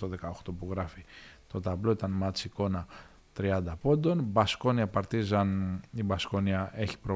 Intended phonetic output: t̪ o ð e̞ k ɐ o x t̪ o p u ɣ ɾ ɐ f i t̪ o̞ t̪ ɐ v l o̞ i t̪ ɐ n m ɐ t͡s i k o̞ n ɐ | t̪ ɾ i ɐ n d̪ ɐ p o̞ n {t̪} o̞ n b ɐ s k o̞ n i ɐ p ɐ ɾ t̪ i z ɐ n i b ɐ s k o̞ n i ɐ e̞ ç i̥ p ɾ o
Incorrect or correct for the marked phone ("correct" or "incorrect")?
incorrect